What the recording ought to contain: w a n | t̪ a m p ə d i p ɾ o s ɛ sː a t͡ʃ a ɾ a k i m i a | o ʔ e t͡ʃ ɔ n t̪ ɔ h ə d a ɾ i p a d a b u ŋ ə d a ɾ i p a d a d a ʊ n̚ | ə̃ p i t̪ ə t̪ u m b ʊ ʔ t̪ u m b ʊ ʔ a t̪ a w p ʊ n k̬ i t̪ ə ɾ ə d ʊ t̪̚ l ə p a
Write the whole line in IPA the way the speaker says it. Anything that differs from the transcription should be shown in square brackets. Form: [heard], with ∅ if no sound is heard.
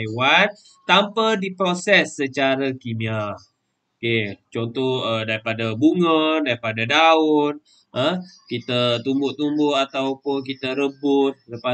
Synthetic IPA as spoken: w a n | t̪ a m p ə d i p ɾ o s ɛ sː [ə] t͡ʃ a ɾ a k i m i a | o [k] e t͡ʃ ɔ n t̪ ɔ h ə d a ɾ i p a d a b u ŋ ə d a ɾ i p a d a d a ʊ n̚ | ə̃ [k] i t̪ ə t̪ u m b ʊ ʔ t̪ u m b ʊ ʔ a t̪ a w p ʊ n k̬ i t̪ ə ɾ ə [b] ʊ t̪̚ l ə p a